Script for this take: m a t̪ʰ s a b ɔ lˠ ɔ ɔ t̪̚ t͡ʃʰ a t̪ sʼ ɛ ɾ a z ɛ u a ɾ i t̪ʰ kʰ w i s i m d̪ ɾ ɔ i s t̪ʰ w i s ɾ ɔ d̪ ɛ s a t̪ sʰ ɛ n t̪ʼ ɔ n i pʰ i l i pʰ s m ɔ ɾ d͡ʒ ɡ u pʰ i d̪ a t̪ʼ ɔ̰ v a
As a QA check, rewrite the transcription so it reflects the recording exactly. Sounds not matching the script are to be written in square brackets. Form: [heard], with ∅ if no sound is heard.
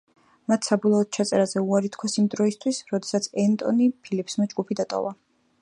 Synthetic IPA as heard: m a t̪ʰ s a b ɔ lˠ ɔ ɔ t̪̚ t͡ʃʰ a t̪ sʼ ɛ ɾ a z ɛ u a ɾ i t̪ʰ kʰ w [a] s i m d̪ ɾ ɔ i s t̪ʰ w i s ɾ ɔ d̪ ɛ s a t̪ sʰ ɛ n t̪ʼ ɔ n i pʰ i l i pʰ s m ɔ [∅] d͡ʒ ɡ u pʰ i d̪ a t̪ʼ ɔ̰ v a